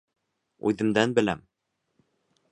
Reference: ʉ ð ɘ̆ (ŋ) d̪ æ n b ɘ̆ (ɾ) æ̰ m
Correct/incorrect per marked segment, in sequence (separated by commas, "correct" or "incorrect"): incorrect, incorrect